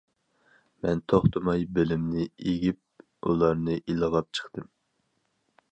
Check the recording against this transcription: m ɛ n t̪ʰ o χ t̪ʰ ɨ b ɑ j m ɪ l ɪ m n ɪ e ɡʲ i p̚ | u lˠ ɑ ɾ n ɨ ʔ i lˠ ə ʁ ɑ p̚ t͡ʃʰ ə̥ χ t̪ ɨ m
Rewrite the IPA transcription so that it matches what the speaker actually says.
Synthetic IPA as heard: m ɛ n t̪ʰ o χ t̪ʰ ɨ m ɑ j b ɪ l ɪ m n ɪ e ɡʲ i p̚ | u lˠ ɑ ɾ n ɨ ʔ i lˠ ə ʁ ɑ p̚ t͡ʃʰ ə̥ χ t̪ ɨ m